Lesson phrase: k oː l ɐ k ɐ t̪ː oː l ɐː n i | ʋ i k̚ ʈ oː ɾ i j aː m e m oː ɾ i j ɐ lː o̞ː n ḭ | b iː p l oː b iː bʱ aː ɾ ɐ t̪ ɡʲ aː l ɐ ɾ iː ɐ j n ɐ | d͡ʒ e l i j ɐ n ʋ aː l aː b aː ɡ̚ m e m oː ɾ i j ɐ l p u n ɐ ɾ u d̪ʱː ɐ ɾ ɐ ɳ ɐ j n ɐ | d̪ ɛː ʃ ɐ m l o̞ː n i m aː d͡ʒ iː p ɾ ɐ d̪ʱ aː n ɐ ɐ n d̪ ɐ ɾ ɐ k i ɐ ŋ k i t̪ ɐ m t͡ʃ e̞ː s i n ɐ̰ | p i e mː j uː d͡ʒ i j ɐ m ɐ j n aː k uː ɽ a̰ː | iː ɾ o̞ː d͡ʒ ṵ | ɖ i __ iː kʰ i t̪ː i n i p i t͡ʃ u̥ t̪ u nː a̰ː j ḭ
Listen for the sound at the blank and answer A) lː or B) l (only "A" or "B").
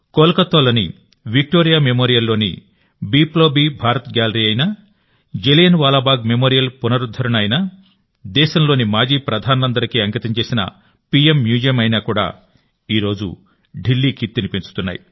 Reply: A